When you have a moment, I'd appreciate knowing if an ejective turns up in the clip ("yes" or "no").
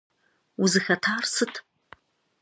no